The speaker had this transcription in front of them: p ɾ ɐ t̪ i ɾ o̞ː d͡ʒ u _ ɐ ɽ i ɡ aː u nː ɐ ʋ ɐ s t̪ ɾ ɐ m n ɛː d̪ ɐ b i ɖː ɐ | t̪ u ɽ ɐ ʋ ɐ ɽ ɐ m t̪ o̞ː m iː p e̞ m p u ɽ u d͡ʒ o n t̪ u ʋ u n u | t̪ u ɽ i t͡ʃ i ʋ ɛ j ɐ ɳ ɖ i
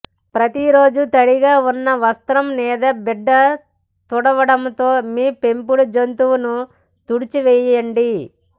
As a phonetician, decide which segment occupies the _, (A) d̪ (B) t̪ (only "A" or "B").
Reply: B